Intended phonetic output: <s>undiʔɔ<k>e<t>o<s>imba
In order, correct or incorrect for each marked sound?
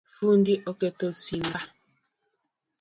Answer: incorrect: f, correct, correct, correct

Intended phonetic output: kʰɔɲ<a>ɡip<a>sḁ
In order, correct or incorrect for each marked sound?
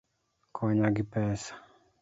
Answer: correct, incorrect: ɛ

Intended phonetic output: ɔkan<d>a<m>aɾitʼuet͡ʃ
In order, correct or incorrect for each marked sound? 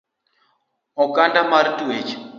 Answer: correct, correct

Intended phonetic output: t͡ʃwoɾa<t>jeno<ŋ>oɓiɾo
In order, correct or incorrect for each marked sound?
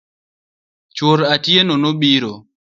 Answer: correct, incorrect: n

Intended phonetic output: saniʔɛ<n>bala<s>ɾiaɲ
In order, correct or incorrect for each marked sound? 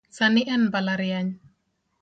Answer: correct, incorrect: none

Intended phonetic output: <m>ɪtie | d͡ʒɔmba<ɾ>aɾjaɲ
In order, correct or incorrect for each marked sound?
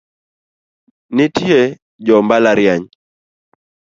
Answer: incorrect: n, incorrect: l

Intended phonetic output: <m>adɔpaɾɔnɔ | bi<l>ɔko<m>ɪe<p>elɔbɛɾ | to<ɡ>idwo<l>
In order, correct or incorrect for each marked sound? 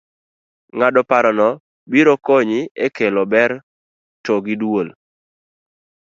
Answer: incorrect: ŋ, incorrect: ɾ, incorrect: ɲ, incorrect: k, correct, correct

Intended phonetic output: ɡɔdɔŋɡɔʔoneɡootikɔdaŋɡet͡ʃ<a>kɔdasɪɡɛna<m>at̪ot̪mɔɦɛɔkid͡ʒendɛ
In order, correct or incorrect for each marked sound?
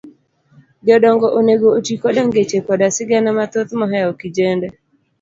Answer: incorrect: e, correct

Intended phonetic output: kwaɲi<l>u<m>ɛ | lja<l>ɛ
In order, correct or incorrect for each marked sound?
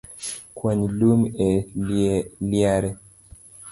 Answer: correct, correct, incorrect: ɾ

